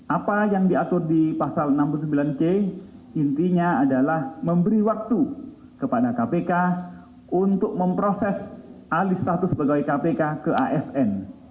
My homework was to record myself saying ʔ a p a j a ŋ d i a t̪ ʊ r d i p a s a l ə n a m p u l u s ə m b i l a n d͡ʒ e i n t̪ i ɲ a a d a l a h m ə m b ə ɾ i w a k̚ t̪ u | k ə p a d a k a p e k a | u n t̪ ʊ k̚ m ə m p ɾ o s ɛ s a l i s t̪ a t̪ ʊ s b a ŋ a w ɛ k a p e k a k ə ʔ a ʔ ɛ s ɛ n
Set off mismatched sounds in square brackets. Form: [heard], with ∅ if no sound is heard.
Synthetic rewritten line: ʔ a p a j a ŋ d i a t̪ ʊ r d i p a s a l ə n a m p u l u s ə m b i l a n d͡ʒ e i n t̪ i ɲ a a d a l a h m ə m b ə ɾ i w a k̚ t̪ u | k ə p a d a k a p e k a | u n t̪ ʊ k̚ m ə m p ɾ o s ɛ s a l i s t̪ a t̪ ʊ s b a [ɡ] a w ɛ k a p e k a k ə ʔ a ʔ ɛ s ɛ n